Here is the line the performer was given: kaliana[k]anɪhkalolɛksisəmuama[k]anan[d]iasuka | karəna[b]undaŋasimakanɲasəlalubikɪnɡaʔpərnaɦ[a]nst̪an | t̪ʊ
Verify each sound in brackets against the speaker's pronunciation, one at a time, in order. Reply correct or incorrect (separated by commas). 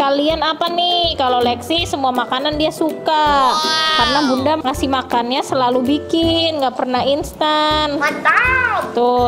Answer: incorrect, correct, correct, correct, incorrect